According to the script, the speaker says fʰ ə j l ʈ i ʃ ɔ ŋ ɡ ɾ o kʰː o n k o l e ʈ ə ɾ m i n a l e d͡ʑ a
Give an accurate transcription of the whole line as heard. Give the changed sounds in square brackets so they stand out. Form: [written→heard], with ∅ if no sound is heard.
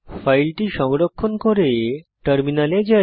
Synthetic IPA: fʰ [ə→a] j l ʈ i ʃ ɔ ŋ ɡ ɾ o kʰː o n k o [l→ɾ] e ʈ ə ɾ m i n a l e d͡ʑ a